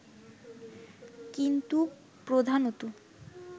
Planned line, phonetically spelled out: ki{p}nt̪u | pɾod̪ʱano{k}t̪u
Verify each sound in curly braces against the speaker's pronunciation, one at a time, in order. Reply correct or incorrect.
incorrect, incorrect

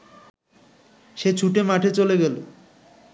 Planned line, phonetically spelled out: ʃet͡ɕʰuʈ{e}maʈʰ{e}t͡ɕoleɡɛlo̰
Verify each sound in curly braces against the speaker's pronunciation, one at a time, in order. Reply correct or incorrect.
correct, correct

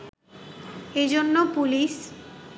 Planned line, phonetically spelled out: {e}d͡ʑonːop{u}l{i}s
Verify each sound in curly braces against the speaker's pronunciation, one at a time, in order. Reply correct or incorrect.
correct, correct, correct

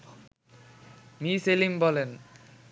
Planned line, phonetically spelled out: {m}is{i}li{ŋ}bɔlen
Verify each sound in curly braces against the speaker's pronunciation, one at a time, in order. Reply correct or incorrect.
correct, incorrect, incorrect

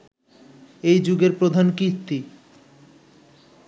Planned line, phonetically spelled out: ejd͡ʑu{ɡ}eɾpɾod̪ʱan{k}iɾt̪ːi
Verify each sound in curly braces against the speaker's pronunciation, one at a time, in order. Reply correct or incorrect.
correct, correct

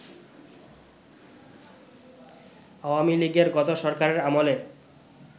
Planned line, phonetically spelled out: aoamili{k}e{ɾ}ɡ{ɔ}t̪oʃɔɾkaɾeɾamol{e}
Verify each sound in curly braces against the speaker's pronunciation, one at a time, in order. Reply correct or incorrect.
incorrect, correct, correct, correct

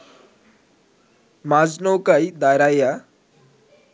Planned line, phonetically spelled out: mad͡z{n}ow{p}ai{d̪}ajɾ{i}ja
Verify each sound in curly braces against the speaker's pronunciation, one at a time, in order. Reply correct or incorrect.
correct, incorrect, correct, incorrect

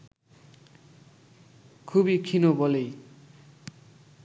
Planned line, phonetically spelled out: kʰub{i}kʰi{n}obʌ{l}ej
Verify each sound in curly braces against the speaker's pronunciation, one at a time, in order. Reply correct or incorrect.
correct, correct, correct

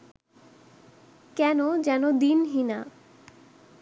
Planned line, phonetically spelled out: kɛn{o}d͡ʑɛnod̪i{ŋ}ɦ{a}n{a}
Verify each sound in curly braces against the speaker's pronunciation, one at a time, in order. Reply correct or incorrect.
correct, incorrect, incorrect, correct

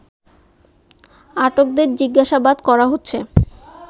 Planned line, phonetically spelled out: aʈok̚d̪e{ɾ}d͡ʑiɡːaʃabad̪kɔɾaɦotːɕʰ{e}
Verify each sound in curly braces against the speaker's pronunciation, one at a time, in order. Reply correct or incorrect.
correct, correct

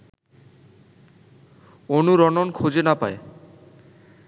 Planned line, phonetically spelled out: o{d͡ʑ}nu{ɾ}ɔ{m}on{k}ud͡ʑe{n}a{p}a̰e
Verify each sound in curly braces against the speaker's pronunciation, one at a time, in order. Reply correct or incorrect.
incorrect, correct, incorrect, incorrect, correct, correct

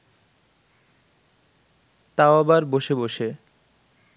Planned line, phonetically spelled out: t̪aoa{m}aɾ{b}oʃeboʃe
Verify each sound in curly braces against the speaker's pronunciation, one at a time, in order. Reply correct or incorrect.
incorrect, correct

